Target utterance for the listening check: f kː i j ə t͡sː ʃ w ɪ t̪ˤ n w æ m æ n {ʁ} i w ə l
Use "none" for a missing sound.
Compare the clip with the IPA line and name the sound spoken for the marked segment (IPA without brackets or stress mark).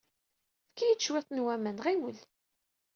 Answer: ʁ